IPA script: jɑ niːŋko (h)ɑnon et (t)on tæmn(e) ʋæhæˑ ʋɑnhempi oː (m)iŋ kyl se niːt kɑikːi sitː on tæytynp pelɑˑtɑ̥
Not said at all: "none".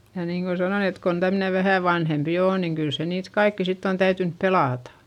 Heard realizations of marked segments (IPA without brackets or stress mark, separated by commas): s, k, e, n